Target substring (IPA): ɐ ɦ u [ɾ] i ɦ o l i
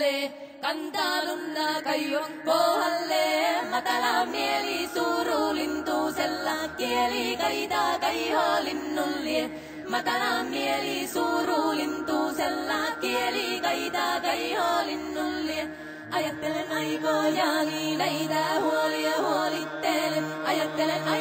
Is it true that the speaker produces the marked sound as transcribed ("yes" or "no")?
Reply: no